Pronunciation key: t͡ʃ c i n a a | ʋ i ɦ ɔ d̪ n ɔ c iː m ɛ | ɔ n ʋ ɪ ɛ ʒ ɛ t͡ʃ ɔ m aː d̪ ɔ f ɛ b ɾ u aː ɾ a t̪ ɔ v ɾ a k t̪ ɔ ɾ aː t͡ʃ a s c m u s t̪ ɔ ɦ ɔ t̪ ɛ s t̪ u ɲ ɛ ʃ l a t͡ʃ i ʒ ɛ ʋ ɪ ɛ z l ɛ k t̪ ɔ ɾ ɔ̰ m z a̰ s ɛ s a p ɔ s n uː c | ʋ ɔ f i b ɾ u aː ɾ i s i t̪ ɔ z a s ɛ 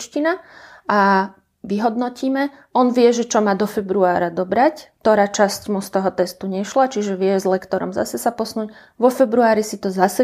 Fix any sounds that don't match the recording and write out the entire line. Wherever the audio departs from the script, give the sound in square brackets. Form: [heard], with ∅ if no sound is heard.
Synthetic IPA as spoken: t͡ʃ c i n a a | ʋ i ɦ ɔ d̪ n ɔ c iː m ɛ | ɔ n ʋ ɪ ɛ ʒ ɛ t͡ʃ ɔ m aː d̪ ɔ f ɛ b ɾ u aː ɾ a [d̪] ɔ [b] ɾ a [c] t̪ ɔ ɾ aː t͡ʃ a s c m u s t̪ ɔ ɦ ɔ t̪ ɛ s t̪ u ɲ ɛ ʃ l a t͡ʃ i ʒ ɛ ʋ ɪ ɛ z l ɛ k t̪ ɔ ɾ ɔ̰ m z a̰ s ɛ s a p ɔ s n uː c | ʋ ɔ f [ɛ] b ɾ u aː ɾ i s i t̪ ɔ z a s ɛ